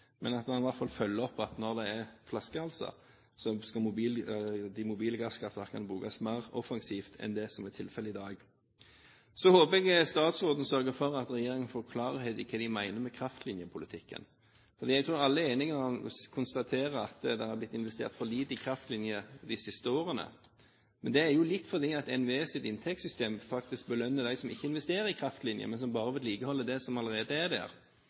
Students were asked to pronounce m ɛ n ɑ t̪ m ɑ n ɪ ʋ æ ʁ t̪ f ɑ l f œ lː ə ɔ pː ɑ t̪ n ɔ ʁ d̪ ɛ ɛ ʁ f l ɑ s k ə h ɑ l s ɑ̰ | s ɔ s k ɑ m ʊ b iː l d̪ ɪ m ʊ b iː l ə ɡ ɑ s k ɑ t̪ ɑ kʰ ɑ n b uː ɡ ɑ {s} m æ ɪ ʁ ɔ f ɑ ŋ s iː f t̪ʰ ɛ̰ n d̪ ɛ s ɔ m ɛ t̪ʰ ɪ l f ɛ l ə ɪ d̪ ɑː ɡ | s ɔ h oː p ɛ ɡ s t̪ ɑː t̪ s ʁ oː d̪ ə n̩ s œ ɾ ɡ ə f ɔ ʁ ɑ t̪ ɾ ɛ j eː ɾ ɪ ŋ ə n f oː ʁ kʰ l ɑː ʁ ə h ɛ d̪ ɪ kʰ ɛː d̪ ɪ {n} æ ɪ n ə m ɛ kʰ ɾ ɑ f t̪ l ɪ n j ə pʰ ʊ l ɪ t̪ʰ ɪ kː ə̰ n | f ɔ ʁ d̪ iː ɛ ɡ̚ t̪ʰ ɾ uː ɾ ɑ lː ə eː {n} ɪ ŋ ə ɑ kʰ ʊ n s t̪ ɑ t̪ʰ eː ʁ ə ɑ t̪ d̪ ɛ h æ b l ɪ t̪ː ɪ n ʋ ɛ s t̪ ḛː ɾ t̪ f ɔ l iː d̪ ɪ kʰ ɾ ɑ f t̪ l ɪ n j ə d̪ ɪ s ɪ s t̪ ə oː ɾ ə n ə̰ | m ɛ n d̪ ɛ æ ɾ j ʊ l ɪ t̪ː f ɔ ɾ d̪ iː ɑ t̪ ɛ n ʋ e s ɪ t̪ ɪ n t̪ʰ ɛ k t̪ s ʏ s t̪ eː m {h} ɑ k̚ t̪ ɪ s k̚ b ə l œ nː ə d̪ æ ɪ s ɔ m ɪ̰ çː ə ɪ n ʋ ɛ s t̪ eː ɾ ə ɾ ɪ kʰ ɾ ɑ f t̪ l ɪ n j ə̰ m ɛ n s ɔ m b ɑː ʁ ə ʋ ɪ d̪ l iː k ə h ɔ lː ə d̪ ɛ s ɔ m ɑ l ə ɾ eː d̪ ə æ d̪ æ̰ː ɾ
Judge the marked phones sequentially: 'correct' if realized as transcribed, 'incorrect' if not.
correct, incorrect: m, correct, incorrect: f

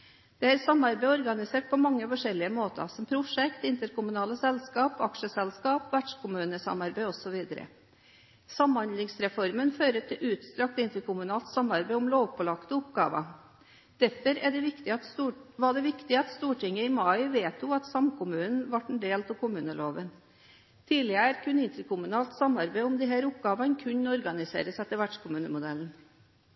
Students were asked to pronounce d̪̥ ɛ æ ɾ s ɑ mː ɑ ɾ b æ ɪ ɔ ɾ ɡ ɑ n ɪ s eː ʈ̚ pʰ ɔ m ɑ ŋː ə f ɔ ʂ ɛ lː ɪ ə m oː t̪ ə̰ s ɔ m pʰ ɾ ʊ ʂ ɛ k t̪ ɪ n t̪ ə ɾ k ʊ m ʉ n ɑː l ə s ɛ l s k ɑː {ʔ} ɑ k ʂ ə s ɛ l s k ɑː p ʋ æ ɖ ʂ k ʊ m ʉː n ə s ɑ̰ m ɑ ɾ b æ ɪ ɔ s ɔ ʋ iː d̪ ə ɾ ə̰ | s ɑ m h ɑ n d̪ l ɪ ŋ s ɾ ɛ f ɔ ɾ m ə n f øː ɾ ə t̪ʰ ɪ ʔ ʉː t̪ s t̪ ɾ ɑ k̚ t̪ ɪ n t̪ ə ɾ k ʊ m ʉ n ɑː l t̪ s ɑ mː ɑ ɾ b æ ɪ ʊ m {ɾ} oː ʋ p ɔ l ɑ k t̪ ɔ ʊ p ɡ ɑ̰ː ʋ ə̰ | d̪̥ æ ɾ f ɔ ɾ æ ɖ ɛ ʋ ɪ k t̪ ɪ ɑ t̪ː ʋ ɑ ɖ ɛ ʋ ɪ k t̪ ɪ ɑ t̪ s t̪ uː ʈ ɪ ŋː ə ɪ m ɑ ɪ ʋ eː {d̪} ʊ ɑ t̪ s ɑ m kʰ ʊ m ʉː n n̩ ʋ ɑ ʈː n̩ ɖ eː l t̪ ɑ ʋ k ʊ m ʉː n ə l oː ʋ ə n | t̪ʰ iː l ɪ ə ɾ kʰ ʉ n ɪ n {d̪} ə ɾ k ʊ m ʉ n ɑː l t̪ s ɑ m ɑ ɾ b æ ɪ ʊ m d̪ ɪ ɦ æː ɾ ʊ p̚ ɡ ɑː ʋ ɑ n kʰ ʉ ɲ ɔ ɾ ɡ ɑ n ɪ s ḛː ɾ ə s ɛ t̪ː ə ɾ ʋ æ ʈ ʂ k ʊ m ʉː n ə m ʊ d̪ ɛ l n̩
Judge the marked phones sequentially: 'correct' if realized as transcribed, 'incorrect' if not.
incorrect: p, incorrect: l, incorrect: t̪, incorrect: t̪

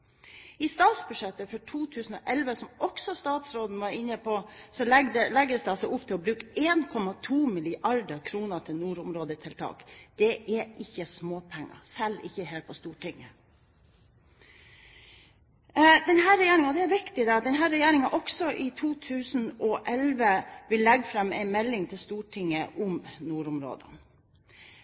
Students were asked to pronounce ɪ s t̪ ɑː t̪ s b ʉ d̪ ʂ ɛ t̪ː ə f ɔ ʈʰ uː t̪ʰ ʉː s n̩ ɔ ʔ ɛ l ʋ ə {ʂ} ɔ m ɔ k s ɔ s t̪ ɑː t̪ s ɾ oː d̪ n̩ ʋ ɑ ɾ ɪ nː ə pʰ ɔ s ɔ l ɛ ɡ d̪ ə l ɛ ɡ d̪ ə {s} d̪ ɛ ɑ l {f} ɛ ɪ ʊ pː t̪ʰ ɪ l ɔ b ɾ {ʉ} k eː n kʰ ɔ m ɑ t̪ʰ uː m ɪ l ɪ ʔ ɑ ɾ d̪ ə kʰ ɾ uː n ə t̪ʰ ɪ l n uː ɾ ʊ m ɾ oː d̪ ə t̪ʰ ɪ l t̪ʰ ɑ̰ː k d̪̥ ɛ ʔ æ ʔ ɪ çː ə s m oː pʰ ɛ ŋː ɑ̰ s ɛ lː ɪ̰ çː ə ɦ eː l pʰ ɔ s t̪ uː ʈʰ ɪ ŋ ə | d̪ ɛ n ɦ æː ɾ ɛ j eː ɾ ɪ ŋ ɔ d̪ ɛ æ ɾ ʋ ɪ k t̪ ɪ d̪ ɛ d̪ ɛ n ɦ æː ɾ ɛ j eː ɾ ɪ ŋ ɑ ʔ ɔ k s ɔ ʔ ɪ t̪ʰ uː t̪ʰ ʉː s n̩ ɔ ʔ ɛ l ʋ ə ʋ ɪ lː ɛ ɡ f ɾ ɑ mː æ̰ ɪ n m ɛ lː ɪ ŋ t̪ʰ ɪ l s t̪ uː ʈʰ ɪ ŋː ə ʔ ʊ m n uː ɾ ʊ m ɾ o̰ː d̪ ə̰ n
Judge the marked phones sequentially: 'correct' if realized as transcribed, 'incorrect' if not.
incorrect: s, correct, incorrect: s, incorrect: ʉː

